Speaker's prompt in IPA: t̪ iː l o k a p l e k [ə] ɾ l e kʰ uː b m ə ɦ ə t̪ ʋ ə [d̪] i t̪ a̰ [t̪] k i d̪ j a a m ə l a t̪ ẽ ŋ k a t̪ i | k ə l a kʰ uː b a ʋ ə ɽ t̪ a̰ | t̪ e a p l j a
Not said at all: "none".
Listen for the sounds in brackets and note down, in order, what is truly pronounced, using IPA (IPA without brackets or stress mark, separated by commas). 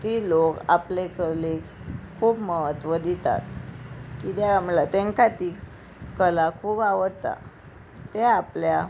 ə, d̪, t̪